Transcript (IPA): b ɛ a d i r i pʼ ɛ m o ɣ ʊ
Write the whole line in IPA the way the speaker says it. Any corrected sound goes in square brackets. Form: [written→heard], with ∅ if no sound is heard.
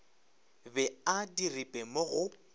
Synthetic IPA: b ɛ a d i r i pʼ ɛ m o ɣ ʊ